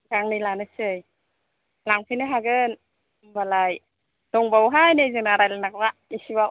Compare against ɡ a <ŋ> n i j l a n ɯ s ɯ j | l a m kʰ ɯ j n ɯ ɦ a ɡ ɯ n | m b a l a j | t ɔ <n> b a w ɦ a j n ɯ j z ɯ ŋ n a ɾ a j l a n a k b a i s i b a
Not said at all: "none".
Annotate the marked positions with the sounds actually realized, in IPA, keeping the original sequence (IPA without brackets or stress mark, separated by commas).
ŋ, ŋ